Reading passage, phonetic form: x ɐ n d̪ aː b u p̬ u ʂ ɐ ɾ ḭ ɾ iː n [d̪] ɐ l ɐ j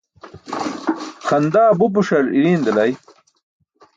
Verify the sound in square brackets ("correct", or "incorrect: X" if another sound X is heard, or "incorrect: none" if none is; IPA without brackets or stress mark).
correct